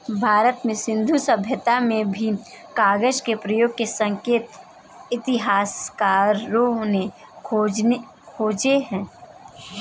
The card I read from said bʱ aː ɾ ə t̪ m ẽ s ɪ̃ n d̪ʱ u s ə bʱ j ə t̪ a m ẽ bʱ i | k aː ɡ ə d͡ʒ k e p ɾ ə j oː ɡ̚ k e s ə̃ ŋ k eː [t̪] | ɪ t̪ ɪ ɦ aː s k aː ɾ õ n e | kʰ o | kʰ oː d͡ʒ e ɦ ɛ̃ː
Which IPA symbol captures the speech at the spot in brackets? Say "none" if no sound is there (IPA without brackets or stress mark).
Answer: t̪